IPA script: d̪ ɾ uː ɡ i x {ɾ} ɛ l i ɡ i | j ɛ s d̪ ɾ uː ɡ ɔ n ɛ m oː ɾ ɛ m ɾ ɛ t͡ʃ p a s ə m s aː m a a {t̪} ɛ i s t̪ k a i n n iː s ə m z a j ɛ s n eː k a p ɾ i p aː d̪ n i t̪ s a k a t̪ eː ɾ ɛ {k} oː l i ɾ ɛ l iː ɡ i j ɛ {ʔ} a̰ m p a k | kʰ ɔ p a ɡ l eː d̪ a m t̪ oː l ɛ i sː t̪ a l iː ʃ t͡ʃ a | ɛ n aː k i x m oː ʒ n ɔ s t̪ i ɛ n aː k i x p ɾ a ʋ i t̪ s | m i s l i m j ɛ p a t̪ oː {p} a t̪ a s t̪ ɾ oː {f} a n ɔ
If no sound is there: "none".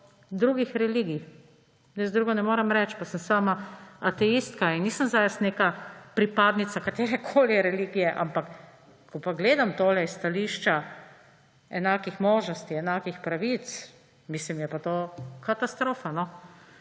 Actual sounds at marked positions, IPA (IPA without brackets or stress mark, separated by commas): ɾ, t̪, kʰ, ʔ, k, f